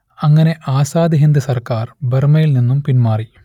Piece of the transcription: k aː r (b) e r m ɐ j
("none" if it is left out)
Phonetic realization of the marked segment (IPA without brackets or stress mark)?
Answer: b